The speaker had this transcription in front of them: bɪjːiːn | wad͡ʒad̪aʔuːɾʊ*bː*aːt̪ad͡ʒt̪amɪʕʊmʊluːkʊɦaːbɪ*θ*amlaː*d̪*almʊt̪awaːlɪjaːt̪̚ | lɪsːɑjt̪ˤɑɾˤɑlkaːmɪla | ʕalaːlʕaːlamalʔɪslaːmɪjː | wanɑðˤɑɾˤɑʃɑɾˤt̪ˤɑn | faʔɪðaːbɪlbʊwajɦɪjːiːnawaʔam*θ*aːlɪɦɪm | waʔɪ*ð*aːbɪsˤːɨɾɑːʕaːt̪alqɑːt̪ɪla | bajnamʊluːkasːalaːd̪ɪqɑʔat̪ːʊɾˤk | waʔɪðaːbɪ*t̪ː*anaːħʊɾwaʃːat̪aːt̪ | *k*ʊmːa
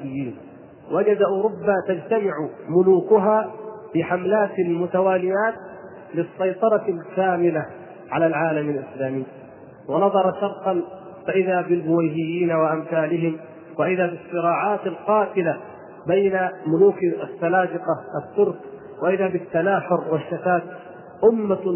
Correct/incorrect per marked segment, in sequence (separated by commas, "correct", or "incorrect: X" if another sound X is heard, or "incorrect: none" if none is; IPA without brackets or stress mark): correct, incorrect: ħ, incorrect: t̪, correct, correct, correct, incorrect: ʔ